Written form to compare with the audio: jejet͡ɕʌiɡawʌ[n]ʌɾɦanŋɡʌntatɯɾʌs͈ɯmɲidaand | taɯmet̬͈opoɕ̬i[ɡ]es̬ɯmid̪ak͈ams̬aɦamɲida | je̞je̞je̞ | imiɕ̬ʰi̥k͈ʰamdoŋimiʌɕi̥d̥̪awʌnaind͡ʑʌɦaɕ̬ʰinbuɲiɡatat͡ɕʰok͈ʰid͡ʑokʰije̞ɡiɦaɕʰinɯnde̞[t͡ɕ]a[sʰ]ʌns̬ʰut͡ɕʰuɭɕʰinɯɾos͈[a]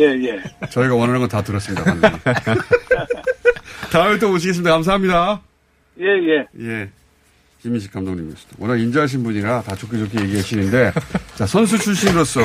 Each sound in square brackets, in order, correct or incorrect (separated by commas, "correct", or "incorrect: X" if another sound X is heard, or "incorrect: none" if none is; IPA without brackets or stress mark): correct, correct, correct, correct, incorrect: ʌ